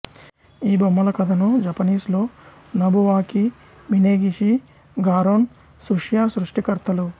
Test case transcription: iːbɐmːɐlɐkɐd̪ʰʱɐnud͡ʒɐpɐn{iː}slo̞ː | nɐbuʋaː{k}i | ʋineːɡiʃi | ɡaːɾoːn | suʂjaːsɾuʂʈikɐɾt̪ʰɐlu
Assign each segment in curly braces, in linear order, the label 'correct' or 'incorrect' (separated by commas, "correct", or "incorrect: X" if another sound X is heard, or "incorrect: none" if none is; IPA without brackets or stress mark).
correct, correct